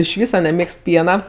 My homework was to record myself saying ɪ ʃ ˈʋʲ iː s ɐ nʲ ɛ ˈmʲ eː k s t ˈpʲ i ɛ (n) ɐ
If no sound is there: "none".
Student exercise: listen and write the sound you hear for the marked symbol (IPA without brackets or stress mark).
n